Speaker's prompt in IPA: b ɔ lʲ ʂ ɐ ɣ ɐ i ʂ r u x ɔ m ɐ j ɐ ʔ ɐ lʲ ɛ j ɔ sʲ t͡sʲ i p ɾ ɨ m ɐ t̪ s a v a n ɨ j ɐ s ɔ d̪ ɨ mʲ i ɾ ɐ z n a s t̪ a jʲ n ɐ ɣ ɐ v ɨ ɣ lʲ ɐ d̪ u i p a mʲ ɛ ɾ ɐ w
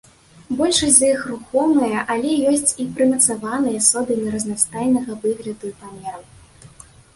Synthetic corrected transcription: b ɔ lʲ ʂ ɐ z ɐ i x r u x ɔ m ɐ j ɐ ʔ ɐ lʲ ɛ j ɔ sʲ t͡sʲ i p ɾ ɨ m ɐ t̪ s a v a n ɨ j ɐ s ɔ d̪ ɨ mʲ i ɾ ɐ z n a s t̪ a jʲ n ɐ ɣ ɐ v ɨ ɣ lʲ ɐ d̪ u i p a mʲ ɛ ɾ ɐ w